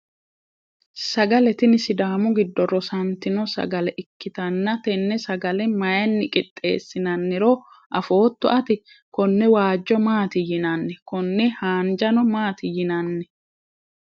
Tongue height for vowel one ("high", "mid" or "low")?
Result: low